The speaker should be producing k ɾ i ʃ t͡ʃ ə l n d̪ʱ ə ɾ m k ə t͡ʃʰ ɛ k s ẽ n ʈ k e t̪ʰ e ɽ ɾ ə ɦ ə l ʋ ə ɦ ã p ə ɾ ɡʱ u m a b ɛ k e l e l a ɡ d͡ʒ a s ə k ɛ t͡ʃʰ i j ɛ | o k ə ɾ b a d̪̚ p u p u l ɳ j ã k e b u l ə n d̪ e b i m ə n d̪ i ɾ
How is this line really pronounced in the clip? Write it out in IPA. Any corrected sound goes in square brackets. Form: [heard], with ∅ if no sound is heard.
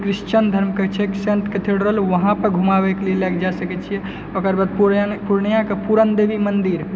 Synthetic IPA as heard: k ɾ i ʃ t͡ʃ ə [∅] n d̪ʱ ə ɾ m k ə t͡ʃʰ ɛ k s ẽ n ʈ k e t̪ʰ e ɽ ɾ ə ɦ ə l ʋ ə ɦ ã p ə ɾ ɡʱ u m a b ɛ k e l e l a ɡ d͡ʒ a s ə k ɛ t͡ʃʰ i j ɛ | o k ə ɾ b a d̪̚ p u p u [ɾ] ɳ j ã k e [p] u [ɾ] ə n d̪ e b i m ə n d̪ i ɾ